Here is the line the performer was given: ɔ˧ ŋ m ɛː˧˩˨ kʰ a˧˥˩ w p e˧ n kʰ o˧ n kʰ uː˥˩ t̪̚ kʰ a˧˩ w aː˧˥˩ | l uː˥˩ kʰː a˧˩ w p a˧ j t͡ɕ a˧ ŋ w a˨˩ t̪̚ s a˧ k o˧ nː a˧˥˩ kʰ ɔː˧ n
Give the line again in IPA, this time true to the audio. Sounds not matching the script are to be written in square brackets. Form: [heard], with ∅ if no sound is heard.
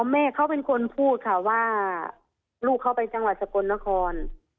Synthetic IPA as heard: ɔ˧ [∅] m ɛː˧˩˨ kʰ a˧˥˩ w p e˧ n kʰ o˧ n [pʰ] uː˥˩ t̪̚ kʰ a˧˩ w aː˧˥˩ | l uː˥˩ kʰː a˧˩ w p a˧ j t͡ɕ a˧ ŋ w a˨˩ t̪̚ s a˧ k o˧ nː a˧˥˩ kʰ ɔː˧ n